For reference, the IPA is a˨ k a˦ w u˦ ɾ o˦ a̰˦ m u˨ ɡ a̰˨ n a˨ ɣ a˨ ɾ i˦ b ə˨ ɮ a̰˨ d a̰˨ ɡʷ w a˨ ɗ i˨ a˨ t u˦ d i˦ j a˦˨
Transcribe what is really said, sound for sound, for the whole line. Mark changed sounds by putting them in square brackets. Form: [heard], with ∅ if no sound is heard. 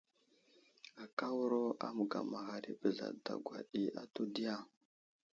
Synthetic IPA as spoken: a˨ k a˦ w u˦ ɾ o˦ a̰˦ m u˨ ɡ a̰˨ [m] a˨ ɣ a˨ ɾ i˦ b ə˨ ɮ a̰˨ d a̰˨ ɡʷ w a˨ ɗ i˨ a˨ t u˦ d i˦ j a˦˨